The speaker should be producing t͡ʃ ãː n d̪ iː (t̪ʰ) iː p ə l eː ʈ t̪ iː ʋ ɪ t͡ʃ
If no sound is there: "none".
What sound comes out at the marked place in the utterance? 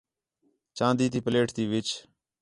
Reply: t̪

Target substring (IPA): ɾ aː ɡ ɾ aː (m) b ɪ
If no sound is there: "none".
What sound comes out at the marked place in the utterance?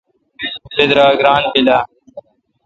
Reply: n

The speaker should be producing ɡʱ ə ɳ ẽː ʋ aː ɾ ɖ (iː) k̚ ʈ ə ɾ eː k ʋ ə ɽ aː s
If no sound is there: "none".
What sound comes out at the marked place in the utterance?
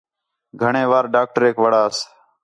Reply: aː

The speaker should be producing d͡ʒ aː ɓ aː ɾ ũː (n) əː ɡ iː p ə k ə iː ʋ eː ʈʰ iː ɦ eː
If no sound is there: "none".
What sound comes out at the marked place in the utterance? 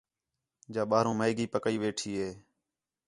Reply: m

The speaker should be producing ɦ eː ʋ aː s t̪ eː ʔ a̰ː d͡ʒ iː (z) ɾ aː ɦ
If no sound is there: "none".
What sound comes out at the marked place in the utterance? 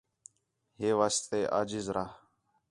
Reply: z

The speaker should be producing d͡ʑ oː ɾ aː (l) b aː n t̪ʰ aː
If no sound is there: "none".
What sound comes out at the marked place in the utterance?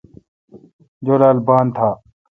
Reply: l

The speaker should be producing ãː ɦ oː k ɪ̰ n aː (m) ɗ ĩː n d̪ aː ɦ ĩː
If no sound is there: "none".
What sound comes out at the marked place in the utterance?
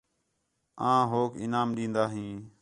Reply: m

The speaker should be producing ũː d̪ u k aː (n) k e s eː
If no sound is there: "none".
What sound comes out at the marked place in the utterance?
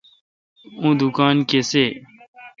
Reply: n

